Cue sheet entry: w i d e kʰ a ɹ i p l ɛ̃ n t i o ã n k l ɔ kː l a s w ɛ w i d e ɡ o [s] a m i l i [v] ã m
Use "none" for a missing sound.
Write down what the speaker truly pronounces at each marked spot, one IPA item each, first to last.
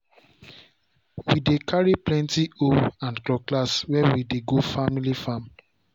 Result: f, f

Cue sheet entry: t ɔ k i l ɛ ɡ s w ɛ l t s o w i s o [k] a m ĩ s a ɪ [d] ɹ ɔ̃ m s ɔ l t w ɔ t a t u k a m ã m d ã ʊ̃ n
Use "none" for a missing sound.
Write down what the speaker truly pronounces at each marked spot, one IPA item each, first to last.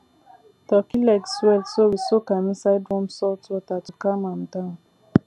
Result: k, d

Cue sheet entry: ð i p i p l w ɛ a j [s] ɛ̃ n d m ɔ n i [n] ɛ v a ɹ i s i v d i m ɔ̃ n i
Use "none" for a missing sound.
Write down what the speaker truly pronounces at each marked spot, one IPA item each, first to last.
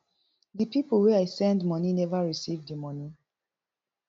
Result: s, n

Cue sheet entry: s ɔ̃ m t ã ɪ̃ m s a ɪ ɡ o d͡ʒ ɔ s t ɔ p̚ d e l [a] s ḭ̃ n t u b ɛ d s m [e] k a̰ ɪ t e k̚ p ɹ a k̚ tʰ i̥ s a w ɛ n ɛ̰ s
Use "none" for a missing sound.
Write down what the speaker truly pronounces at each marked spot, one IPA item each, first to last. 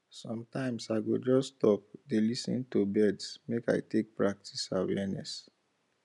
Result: i, e

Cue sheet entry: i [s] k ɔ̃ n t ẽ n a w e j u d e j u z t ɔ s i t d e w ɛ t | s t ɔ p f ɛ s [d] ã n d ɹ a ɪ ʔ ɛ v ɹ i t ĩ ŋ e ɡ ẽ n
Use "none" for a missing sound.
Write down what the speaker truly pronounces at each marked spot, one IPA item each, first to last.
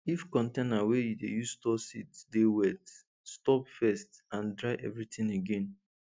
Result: f, t

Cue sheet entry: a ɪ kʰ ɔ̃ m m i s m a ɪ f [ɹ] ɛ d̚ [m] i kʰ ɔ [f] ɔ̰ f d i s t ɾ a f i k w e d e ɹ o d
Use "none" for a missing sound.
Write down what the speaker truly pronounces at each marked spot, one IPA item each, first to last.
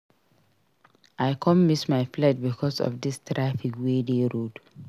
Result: l, b, s

